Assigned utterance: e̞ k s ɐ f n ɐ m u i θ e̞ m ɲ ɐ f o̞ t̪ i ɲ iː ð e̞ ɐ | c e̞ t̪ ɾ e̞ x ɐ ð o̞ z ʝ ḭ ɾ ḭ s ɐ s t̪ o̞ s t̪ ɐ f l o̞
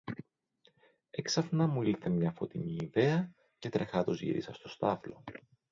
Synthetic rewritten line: e̞ k s ɐ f n ɐ m u i θ e̞ m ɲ ɐ f o̞ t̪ i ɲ iː ð e̞ ɐ | c e̞ t̪ ɾ e̞ x ɐ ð o̞ z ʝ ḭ ɾ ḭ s ɐ s t̪ o̞ s t̪ ɐ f l o̞